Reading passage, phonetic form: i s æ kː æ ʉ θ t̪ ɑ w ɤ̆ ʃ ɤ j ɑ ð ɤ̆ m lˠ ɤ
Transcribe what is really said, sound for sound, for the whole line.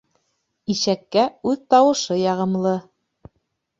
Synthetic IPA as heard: i ʃ æ kː æ ʉ ð t̪ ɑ w ɤ̆ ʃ ɤ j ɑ ʁ ɤ̆ m lˠ ɤ